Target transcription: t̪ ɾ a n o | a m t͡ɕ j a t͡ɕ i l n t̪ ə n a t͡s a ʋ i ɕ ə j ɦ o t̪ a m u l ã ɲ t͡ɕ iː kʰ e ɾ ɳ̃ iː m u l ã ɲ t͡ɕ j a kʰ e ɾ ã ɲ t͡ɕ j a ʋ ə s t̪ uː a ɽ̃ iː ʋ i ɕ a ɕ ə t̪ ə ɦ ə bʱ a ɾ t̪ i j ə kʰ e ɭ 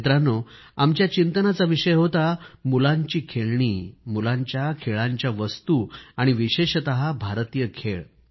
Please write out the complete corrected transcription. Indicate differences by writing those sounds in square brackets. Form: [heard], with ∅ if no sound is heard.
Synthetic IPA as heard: t̪ ɾ a n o | a m t͡ɕ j a t͡ɕ i [∅] n t̪ ə n a t͡s a ʋ i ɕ ə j ɦ o t̪ a m u l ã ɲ t͡ɕ iː kʰ e [ɭ] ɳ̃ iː m u l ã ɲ t͡ɕ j a kʰ e [ɭ] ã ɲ t͡ɕ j a ʋ ə s t̪ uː a ɽ̃ [i] ʋ i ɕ [e] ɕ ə t̪ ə ɦ [a] bʱ a ɾ t̪ i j ə kʰ e ɭ

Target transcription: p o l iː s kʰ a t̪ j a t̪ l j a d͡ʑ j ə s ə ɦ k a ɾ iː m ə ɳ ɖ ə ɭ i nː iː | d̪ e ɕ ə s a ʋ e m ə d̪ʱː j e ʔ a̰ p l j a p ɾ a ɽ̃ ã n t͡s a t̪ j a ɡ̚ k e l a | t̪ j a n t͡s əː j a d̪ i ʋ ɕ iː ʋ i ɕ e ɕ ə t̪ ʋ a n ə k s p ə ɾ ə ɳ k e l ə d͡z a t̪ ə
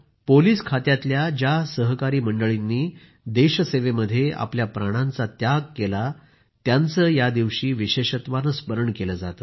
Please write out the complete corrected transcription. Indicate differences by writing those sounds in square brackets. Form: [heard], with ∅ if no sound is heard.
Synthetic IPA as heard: p o l iː s kʰ a t̪ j a t̪ l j a d͡ʑ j [a] s ə ɦ k a ɾ iː m ə ɳ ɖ ə ɭ i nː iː | d̪ e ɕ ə s [e] ʋ e m ə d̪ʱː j e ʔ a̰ p l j a p ɾ a ɽ̃ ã n t͡s a t̪ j a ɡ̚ k e l a | t̪ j a n t͡s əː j a d̪ i ʋ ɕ iː ʋ i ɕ e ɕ ə t̪ ʋ a n ə [∅] s p ə ɾ ə ɳ k e l ə d͡z a t̪ ə

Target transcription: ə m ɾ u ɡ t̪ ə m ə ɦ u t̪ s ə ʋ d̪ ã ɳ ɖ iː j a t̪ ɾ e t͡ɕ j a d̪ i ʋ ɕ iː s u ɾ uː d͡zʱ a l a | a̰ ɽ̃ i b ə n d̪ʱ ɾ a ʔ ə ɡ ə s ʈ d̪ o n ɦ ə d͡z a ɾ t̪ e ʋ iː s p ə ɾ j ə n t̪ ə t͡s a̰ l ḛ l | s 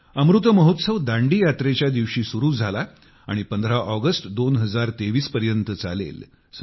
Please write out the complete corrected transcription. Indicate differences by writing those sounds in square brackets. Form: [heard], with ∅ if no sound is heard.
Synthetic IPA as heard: ə m ɾ u [∅] t̪ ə m ə ɦ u t̪ s ə ʋ d̪ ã ɳ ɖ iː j a t̪ ɾ e t͡ɕ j a d̪ i ʋ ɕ iː s u ɾ uː d͡zʱ a l a | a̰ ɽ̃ i [p] ə n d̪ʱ ɾ a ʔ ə ɡ ə s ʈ d̪ o n ɦ ə d͡z a ɾ t̪ e ʋ iː s p ə ɾ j ə n t̪ ə t͡s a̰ l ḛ l | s

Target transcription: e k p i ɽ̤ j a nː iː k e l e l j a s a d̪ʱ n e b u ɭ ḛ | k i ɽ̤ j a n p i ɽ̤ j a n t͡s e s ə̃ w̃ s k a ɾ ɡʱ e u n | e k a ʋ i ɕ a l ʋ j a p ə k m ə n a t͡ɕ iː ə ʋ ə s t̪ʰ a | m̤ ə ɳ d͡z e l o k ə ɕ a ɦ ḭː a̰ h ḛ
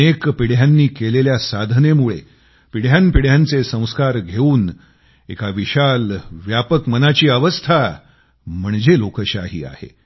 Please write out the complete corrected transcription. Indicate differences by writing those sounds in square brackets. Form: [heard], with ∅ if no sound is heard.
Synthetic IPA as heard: e k p i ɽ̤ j a nː iː k e l e l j a s a d̪ʱ n e [m] u ɭ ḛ | [p] i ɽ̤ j a n p i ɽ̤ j a n t͡s e s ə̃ w̃ s k a ɾ ɡʱ e [uː] n | e k a ʋ i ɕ a l ʋ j a p ə k m ə n a t͡ɕ iː ə ʋ ə s t̪ʰ a | m̤ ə ɳ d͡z e l o k ə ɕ a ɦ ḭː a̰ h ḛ

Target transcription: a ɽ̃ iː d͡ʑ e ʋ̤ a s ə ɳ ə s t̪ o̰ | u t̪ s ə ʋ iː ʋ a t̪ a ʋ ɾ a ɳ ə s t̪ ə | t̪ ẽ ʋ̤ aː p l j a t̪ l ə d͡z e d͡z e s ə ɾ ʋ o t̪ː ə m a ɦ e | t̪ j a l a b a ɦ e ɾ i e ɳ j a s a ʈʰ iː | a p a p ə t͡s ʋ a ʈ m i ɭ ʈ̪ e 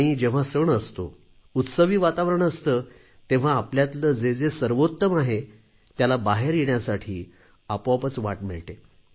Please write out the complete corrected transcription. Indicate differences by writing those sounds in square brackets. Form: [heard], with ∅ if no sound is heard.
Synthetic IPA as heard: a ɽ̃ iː d͡ʑ e ʋ̤ a s ə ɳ ə s t̪ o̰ | u t̪ s ə ʋ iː ʋ a t̪ a ʋ ɾ [ə] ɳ ə s t̪ ə | t̪ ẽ ʋ̤ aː p l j a t̪ l ə d͡z e d͡z e s ə ɾ ʋ o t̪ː ə m a ɦ e | t̪ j a l a b a ɦ e ɾ [j] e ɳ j a s a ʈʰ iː | a p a p ə t͡s ʋ a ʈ m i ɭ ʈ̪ e

